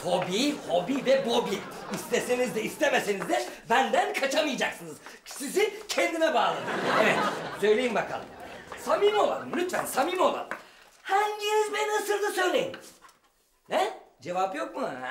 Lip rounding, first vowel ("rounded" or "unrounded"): rounded